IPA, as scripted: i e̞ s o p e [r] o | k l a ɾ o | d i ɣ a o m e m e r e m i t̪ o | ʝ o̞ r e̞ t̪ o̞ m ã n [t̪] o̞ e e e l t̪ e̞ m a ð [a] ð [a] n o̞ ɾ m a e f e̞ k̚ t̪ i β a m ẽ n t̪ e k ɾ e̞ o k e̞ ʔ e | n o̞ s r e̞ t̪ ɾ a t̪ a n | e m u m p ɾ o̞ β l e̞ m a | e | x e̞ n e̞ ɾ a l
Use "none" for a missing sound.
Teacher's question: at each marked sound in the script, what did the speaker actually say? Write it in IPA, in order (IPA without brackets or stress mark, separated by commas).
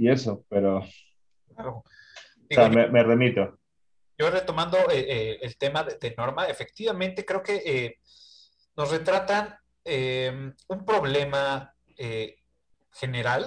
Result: ɾ, d̪, e, e